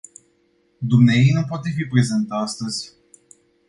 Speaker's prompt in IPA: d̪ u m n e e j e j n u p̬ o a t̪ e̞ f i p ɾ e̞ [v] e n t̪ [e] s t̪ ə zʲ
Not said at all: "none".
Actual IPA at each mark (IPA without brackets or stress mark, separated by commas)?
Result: z, a